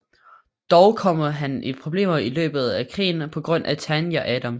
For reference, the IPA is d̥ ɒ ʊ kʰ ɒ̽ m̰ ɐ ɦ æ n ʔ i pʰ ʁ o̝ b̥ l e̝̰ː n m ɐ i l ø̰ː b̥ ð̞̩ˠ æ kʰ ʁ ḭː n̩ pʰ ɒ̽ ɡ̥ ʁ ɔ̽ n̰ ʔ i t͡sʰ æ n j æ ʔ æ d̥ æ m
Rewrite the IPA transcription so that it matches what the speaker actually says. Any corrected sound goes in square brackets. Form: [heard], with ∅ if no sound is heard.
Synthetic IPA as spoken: d̥ ɒ ʊ kʰ ɒ̽ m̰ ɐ ɦ æ n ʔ i pʰ ʁ o̝ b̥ l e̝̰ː [∅] m ɐ i l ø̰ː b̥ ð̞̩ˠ æ kʰ ʁ ḭː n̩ pʰ ɒ̽ ɡ̥ ʁ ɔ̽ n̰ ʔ [æ] t͡sʰ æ n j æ ʔ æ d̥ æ m